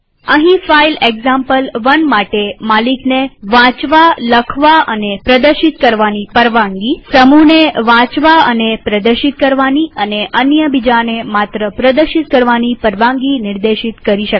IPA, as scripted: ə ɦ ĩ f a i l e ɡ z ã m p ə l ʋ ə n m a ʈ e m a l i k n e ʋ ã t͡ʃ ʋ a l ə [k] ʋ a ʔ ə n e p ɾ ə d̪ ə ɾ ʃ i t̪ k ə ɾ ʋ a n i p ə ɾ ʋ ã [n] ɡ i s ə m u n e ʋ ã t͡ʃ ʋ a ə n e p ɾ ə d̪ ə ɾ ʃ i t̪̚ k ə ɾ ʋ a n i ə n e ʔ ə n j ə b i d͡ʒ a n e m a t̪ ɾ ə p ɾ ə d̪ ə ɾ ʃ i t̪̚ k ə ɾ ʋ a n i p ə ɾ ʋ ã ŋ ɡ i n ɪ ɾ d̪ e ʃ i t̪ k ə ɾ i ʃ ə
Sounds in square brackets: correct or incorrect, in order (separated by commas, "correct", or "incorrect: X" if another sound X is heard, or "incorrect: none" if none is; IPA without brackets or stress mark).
incorrect: kʰ, incorrect: ŋ